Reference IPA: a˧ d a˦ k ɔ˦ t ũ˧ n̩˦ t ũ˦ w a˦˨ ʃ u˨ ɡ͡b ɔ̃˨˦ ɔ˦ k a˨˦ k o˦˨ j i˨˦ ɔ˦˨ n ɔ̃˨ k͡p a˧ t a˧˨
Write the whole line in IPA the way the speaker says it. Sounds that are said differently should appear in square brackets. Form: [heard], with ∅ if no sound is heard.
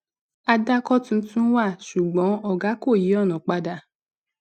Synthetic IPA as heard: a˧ d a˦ k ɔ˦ t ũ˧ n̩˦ t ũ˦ w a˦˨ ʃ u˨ ɡ͡b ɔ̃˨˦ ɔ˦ [ɡ] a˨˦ k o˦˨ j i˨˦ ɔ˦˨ n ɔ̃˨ k͡p a˧ [d] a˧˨